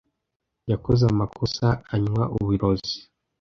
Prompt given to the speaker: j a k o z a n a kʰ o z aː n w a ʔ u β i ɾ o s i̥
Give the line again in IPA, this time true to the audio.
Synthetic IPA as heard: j a k o z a m a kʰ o s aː ɲ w a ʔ u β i ɾ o z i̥